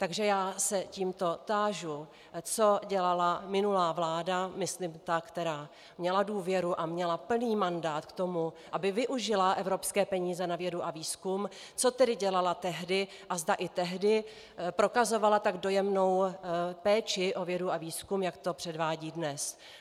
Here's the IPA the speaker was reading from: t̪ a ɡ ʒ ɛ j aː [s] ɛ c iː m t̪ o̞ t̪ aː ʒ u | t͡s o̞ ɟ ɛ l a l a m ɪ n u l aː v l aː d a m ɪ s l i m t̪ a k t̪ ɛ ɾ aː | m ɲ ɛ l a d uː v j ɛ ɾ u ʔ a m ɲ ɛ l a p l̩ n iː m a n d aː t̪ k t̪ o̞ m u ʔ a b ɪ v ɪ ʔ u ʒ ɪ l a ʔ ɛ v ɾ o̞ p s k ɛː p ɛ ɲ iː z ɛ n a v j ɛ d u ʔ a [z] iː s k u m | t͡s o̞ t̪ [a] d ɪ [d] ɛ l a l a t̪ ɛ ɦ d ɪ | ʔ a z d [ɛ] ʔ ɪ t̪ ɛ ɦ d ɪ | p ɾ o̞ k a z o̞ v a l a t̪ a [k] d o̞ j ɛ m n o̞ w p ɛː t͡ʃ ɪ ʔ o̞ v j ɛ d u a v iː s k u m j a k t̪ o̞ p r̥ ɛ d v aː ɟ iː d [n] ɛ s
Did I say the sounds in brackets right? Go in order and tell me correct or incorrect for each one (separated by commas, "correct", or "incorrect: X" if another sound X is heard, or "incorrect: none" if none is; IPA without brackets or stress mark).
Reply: correct, incorrect: v, incorrect: ɛ, incorrect: ɟ, incorrect: a, incorrect: ɡ, correct